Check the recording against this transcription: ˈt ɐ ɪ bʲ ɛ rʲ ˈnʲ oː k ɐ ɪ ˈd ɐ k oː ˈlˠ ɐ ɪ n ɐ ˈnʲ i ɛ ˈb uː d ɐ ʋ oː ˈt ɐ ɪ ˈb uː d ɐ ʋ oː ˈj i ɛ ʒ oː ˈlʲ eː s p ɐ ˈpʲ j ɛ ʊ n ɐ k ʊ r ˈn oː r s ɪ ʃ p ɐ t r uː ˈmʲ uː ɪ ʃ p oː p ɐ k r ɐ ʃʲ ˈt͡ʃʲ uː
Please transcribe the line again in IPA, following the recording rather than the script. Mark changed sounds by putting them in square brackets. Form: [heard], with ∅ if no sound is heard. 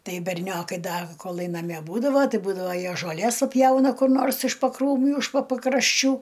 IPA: ˈt ɐ ɪ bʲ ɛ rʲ ˈnʲ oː k ɐ ɪ ˈd ɐ k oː ˈlˠ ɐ ɪ n ɐ [ˈmʲ] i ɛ ˈb uː d ɐ ʋ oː ˈt ɐ ɪ ˈb uː d ɐ ʋ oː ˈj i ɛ ʒ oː ˈlʲ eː s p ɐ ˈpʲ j ɛ ʊ n ɐ k ʊ r ˈn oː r s ɪ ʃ p ɐ [k] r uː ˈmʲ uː ɪ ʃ p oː p ɐ k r ɐ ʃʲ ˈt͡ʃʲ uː